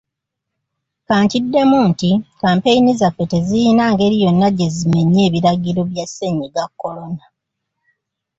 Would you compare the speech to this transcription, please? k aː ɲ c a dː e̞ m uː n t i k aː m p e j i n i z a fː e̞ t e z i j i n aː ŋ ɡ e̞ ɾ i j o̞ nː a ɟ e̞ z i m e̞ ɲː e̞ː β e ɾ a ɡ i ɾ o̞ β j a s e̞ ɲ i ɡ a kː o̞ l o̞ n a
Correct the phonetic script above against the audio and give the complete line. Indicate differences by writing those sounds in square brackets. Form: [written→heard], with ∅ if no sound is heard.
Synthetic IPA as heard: k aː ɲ c [a→i] dː e̞ m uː n t i k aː m p e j i n i z a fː e̞ t e z i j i n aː ŋ ɡ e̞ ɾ i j o̞ nː a ɟ e̞ z i m e̞ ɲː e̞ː β [e→i] ɾ a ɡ i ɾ o̞ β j a s e̞ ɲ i ɡ a kː o̞ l o̞ n a